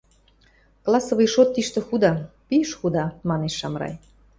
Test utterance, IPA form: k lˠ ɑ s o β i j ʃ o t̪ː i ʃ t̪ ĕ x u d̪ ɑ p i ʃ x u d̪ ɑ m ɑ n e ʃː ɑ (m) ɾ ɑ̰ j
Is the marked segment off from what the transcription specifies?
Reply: no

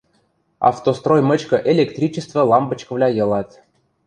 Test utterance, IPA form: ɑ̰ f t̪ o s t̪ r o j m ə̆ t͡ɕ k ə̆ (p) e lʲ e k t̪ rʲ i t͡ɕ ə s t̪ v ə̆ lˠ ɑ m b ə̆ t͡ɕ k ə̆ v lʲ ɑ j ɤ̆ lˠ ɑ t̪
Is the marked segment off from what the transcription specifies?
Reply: yes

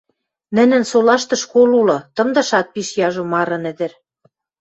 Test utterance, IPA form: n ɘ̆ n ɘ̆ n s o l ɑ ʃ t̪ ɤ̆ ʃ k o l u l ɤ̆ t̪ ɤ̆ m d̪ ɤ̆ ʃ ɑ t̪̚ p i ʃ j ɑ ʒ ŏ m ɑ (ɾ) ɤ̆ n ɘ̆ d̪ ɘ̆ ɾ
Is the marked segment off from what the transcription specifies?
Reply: no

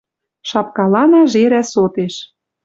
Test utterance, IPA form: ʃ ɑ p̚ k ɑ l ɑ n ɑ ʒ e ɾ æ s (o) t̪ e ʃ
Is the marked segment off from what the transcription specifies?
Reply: no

